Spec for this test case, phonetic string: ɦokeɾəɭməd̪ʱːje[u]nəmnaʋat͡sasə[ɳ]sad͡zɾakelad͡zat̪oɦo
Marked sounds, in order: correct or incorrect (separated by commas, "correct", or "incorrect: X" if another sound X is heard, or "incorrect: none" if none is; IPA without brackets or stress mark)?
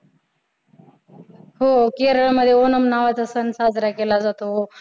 incorrect: o, incorrect: n